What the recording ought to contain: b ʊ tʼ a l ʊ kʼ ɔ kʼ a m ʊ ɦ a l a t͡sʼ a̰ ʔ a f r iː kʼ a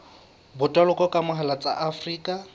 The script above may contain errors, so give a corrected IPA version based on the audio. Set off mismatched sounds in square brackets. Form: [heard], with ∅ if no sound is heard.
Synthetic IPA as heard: b ʊ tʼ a l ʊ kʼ ɔ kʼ a m ʊ ɦ a l a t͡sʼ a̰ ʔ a f r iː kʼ a